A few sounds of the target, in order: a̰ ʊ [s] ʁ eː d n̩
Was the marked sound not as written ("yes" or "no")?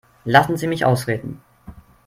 no